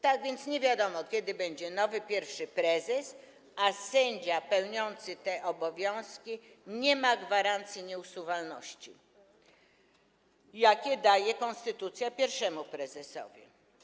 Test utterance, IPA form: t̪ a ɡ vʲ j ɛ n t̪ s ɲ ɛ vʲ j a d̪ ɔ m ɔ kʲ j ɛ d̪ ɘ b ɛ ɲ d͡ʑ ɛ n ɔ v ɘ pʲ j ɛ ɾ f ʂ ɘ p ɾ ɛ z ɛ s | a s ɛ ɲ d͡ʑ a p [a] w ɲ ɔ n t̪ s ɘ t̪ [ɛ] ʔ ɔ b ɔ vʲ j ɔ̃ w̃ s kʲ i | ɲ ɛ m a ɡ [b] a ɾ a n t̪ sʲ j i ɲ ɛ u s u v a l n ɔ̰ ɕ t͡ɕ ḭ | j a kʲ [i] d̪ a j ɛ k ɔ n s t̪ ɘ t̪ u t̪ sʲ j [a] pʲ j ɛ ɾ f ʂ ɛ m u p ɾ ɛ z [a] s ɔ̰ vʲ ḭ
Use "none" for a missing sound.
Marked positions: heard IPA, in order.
ɛ, ɛ, v, ɛ, a, ɛ

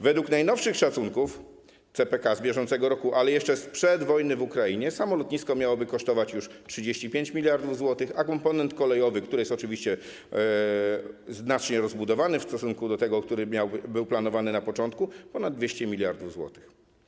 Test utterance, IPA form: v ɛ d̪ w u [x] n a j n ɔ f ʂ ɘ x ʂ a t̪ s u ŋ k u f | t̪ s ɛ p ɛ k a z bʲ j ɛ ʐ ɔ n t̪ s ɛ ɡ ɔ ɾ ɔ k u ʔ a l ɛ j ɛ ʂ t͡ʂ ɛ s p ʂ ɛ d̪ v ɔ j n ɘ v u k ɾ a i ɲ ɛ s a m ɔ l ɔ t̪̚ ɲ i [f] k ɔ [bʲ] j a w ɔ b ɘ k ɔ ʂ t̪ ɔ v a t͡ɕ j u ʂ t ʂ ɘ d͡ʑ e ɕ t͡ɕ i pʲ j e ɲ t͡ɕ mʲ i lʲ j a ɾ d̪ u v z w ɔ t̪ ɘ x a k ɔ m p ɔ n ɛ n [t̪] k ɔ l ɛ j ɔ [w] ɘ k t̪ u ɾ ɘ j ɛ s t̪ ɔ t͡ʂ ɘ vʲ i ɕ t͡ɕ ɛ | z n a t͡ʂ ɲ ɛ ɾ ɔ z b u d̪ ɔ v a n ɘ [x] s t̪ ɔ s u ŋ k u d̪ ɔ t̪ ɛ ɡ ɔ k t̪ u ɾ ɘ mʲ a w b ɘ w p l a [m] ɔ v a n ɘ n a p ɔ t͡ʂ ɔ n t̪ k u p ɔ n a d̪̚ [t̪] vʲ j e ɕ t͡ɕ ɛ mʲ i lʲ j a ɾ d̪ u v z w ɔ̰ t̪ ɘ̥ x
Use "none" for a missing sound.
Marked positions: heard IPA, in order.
k, s, mʲ, t̪, v, f, n, d̪

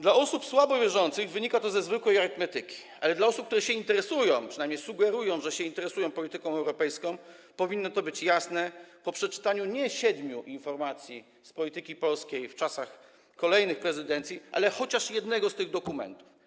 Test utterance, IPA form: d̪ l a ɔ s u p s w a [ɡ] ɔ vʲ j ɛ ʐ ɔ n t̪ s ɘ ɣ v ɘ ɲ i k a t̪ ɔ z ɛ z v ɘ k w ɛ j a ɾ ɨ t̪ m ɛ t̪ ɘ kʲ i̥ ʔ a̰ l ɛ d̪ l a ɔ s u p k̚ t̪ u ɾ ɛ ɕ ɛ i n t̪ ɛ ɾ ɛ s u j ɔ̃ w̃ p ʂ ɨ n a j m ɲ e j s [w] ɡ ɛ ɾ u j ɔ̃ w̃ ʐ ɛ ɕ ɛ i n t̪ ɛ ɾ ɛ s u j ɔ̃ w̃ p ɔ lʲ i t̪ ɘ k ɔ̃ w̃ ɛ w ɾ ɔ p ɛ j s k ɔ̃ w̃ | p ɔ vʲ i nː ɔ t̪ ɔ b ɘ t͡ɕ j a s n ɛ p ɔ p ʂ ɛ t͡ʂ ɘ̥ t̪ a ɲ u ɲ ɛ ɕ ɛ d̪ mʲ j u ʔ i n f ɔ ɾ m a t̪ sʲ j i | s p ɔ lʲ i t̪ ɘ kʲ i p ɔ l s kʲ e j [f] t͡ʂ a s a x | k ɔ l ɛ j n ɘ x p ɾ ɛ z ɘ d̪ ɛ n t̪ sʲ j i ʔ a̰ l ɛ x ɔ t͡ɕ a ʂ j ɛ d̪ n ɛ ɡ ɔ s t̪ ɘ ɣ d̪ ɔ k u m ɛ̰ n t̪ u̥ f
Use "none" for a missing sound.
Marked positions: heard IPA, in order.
b, u, f

